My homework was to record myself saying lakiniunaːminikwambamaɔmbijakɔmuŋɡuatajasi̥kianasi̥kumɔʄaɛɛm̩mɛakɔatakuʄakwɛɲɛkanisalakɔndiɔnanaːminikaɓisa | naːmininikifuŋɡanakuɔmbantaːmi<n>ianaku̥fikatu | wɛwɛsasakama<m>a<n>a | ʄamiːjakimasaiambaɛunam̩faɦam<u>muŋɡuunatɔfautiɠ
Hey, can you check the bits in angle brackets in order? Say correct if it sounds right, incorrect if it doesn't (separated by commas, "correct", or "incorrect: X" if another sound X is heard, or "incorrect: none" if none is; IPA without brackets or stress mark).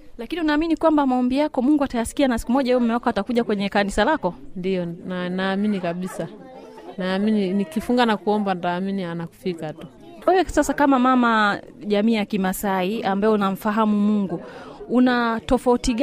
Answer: correct, correct, incorrect: m, correct